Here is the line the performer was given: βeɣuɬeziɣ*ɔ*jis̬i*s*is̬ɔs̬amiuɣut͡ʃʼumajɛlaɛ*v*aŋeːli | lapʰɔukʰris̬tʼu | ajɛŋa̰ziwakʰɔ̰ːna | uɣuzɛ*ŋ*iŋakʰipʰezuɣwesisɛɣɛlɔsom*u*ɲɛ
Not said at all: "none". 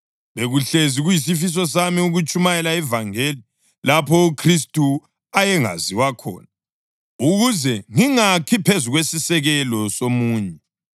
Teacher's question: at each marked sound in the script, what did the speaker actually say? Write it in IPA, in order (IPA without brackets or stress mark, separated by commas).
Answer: u, f, v, ŋ, uː